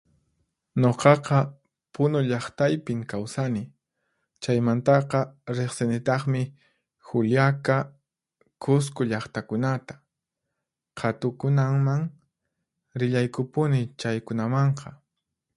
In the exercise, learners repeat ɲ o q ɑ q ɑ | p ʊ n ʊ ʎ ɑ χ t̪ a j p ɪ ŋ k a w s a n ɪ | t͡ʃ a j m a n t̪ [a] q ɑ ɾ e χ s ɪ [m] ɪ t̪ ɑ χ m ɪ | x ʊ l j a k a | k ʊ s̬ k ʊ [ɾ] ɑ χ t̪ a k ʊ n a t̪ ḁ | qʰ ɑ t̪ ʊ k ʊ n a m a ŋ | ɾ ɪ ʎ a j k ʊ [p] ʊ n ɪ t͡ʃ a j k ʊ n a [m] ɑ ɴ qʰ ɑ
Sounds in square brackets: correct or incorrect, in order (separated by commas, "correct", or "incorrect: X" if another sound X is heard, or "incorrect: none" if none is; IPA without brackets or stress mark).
incorrect: ɑ, incorrect: n, incorrect: ʎ, correct, correct